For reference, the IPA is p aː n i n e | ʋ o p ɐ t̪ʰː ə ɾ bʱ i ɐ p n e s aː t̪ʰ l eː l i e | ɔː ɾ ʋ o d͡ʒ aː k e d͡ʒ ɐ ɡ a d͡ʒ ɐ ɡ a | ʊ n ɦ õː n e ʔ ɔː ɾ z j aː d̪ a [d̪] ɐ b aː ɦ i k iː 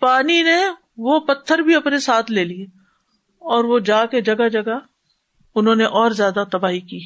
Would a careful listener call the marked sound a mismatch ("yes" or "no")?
yes